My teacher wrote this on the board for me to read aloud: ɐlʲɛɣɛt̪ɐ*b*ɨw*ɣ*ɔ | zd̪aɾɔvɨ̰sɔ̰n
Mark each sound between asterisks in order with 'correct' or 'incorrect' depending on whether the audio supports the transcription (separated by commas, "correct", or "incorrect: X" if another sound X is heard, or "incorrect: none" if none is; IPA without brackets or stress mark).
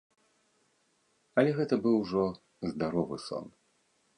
correct, incorrect: ʐ